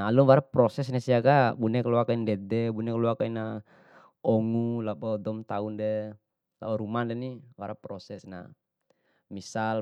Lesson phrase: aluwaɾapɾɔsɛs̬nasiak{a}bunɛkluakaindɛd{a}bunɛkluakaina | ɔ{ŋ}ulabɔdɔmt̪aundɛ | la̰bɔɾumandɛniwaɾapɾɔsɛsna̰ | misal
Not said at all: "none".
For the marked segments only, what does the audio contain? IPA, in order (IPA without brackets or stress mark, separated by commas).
a, ɛ, ŋ